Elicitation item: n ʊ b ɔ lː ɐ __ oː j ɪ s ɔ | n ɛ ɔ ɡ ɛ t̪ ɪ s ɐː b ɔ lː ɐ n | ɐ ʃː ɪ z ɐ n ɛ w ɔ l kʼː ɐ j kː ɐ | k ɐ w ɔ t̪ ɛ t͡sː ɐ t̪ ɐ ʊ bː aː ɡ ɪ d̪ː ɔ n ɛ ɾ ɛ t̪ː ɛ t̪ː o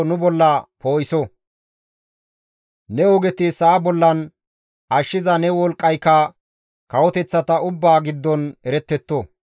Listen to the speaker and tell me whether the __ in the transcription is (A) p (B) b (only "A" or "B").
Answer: A